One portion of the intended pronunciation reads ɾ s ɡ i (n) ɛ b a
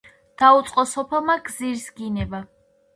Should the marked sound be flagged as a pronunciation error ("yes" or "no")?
no